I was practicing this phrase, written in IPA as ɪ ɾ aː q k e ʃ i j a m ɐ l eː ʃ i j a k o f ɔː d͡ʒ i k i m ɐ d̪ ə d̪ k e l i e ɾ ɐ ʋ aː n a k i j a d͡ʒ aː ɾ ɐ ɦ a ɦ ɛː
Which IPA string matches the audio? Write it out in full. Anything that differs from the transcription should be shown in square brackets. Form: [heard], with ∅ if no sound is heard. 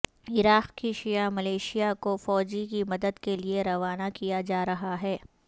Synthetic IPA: ɪ ɾ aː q k [i] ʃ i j a m ɐ l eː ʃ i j a k o f ɔː d͡ʒ i k i m ɐ d̪ ə d̪ k e l i e ɾ ɐ ʋ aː n a k i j a d͡ʒ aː ɾ ɐ ɦ a ɦ ɛː